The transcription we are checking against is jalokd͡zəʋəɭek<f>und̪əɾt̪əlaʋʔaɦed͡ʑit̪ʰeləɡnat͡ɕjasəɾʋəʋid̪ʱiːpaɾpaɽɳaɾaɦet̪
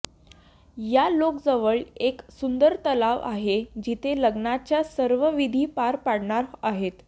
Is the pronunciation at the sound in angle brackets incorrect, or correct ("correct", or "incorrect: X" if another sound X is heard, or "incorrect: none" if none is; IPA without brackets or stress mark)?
incorrect: s